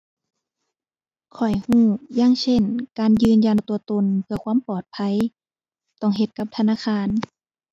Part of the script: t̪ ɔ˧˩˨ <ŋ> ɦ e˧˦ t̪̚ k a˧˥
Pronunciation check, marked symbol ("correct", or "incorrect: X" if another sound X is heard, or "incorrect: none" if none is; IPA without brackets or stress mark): correct